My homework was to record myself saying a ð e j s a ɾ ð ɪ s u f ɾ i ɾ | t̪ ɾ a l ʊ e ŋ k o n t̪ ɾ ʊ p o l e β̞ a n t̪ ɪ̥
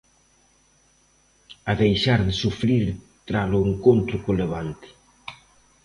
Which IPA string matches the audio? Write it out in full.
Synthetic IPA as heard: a ð e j ʃ a ɾ ð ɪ s u f ɾ i ɾ | t̪ ɾ a l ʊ e ŋ k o n t̪ ɾ ʊ k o l e β̞ a n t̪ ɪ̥